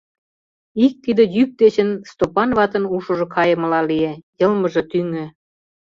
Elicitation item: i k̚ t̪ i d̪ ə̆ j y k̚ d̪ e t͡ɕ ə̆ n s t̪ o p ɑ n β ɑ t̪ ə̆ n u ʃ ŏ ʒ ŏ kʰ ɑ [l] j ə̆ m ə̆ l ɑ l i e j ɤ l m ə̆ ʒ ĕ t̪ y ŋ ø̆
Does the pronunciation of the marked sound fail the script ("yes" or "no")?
yes